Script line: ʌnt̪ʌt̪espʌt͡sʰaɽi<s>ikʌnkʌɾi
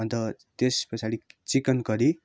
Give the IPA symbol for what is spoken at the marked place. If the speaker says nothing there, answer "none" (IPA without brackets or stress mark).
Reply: t͡s